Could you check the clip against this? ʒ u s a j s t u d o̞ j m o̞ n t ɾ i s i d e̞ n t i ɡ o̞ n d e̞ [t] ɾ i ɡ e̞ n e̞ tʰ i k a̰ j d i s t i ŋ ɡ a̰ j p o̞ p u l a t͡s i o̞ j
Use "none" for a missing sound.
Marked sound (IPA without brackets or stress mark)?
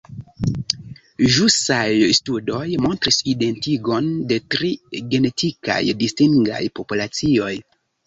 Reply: t